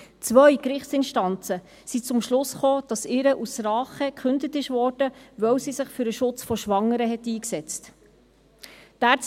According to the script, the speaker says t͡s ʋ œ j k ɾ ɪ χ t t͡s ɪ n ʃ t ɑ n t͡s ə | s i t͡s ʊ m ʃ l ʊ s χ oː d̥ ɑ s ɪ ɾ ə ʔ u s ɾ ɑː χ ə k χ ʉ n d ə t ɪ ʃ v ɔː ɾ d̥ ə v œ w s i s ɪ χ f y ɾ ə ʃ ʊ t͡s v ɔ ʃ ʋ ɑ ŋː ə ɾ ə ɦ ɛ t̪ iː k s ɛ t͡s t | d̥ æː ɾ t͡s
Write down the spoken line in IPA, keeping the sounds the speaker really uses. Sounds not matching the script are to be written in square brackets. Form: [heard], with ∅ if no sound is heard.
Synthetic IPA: t͡s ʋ œ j k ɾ ɪ χ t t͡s ɪ n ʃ t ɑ n t͡s ə | s i t͡s ʊ m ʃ l ʊ s χ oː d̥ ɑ s ɪ ɾ ə ʔ u s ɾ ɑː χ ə k χ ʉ n d ə t ɪ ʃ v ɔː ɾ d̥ ə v œ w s i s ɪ χ f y ɾ ə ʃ ʊ t͡s [f] ɔ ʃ ʋ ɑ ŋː ə ɾ ə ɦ ɛ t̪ iː k s ɛ t͡s t | d̥ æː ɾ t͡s